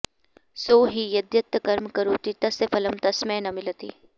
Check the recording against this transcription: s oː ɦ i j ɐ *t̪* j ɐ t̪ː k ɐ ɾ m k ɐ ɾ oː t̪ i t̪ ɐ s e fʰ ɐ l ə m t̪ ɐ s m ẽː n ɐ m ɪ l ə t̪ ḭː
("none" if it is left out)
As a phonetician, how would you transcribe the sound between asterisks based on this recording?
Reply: d̪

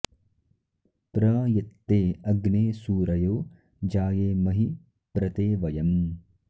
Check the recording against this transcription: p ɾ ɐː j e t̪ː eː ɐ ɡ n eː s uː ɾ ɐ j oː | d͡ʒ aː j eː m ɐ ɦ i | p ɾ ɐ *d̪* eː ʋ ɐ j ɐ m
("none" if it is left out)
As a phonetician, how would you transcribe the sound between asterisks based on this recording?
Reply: t̪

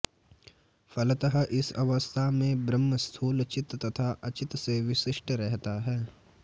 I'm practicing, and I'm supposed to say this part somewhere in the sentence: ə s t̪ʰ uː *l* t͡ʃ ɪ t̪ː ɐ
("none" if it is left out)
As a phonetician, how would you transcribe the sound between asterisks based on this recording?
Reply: l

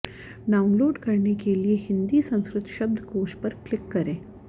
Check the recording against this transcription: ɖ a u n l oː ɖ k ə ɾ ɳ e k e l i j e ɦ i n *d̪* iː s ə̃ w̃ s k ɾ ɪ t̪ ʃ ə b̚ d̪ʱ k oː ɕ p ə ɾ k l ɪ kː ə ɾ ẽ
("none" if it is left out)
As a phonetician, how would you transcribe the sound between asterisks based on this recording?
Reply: d̪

